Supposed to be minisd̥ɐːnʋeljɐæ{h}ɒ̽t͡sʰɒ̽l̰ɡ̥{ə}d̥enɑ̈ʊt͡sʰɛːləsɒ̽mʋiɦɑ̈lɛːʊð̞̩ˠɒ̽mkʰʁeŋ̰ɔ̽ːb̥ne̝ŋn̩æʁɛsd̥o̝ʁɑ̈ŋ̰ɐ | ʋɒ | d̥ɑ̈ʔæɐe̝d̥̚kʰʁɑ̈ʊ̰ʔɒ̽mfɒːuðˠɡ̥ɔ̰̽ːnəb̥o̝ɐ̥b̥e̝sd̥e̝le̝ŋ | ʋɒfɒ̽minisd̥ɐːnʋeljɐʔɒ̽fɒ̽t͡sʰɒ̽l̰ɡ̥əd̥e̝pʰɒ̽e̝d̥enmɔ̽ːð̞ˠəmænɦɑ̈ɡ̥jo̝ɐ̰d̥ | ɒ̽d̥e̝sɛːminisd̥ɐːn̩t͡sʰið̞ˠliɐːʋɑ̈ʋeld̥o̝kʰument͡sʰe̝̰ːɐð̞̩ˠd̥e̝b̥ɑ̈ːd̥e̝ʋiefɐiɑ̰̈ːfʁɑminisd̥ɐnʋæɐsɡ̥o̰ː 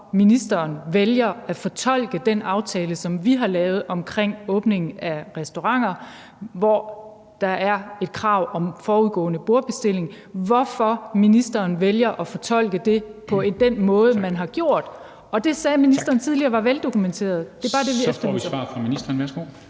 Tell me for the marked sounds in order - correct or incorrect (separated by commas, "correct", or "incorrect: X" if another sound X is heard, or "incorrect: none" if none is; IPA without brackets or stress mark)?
incorrect: f, correct